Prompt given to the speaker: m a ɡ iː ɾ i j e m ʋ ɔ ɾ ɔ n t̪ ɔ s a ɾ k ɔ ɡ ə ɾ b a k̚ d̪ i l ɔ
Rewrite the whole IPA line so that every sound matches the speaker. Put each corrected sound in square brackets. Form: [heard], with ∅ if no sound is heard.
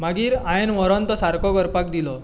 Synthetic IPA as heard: m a ɡ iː ɾ [a] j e [n] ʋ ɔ ɾ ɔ n t̪ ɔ s a ɾ k ɔ ɡ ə ɾ [p] a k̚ d̪ i l ɔ